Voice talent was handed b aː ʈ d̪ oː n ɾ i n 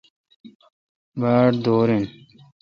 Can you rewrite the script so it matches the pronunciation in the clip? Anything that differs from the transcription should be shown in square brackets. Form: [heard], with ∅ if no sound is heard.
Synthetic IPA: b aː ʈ d̪ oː [∅] ɾ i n